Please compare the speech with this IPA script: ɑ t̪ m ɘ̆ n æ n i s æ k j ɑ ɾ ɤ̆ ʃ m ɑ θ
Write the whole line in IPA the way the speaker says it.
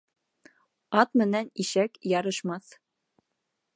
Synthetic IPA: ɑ t̪ m ɘ̆ n æ n i ʃ æ k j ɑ ɾ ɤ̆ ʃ m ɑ θ

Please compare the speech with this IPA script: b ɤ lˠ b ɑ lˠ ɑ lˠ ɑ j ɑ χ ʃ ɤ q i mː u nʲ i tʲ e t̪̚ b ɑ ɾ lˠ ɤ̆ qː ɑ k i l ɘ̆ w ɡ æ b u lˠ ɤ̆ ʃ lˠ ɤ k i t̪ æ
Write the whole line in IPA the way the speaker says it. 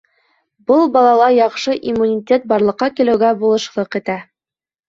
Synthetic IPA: b ɤ lˠ b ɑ lˠ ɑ lˠ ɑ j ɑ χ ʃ ɤ ʔ i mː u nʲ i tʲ e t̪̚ b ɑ ɾ lˠ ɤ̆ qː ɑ k i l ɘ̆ w ɡ æ b u lˠ ɤ̆ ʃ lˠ ɤ q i t̪ æ

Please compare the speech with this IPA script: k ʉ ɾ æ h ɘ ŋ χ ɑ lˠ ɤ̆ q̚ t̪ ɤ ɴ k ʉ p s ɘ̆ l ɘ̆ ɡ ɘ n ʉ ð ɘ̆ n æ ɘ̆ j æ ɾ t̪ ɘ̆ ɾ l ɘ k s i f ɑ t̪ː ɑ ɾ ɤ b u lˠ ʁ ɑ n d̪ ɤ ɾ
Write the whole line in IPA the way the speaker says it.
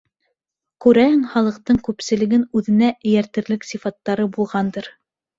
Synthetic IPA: k ʉ ɾ æ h ɘ ŋ χ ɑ lˠ ɤ̆ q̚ t̪ ɤ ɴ k ʉ p s ɘ̆ l ɘ̆ ɡ ɘ n ʉ ð ɘ̆ n æ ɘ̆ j æ ɾ t̪ ɘ̆ ɾ l ɘ k s i f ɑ t̪ː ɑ ɾ ɤ b u lˠ ʁ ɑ n d̪ ɤ ɾ

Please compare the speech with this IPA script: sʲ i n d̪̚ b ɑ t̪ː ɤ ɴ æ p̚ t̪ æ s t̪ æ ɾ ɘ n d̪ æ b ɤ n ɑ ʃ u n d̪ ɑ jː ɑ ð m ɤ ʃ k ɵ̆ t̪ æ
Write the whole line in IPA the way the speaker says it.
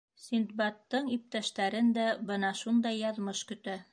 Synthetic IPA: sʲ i n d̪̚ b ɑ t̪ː ɤ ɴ i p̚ t̪ æ ʃ t̪ æ ɾ ɘ n d̪ æ b ɤ n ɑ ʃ u n d̪ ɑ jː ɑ ð m ɤ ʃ k ɵ̆ t̪ æ

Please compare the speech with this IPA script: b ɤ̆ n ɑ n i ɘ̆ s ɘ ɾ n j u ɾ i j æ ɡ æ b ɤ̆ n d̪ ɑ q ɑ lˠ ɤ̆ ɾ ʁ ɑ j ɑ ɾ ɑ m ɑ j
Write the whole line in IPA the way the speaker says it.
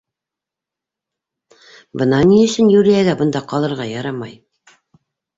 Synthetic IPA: b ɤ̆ n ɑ n i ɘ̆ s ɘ n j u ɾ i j æ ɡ æ b ɤ̆ n d̪ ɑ q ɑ lˠ ɤ̆ ɾ ʁ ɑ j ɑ ɾ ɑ m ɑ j

